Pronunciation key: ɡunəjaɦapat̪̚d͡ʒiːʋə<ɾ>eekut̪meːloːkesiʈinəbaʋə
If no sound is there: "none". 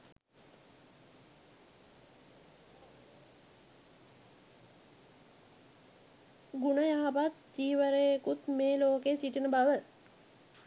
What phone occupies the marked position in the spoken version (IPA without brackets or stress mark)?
ɾ